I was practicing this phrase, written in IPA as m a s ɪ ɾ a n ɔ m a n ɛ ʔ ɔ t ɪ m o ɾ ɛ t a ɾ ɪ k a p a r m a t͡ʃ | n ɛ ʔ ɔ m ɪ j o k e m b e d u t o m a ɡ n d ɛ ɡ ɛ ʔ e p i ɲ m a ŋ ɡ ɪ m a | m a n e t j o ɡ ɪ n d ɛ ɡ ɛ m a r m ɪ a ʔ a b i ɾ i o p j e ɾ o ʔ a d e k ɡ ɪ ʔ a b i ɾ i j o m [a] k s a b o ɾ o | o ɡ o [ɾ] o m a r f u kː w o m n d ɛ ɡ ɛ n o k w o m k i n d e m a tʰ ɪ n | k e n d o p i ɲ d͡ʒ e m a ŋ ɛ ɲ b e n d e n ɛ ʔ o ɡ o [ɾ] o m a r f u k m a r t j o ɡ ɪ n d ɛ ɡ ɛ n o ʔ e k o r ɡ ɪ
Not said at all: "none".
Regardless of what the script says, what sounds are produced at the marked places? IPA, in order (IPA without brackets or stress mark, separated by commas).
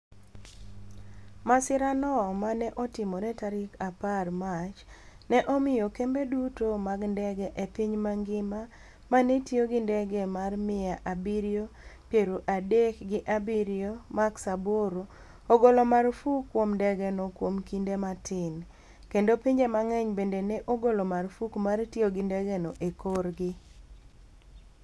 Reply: a, l, l